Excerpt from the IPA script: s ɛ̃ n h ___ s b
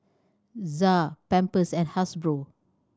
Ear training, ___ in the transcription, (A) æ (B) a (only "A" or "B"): B